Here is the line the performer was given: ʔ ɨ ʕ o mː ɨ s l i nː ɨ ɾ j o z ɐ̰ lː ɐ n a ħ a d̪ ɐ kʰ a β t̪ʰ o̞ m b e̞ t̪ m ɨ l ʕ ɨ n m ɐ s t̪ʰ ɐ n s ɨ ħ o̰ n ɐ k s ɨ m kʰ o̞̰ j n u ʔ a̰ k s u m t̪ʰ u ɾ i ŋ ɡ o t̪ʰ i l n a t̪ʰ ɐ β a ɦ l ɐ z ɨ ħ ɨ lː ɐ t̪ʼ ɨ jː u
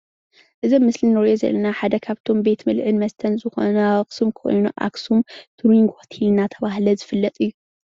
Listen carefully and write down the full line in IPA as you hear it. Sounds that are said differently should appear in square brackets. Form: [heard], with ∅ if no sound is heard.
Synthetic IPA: ʔ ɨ [z] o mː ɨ s l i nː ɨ ɾ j o z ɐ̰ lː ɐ n a ħ a d̪ ɐ kʰ a β t̪ʰ o̞ m b e̞ t̪ m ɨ l ʕ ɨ n m ɐ s t̪ʰ ɐ n [z] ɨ [x] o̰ n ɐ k s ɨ m kʰ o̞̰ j n u ʔ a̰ k s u m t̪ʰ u ɾ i ŋ ɡ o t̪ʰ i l n a t̪ʰ ɐ β a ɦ l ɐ z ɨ [f] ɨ lː ɐ t̪ʼ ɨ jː u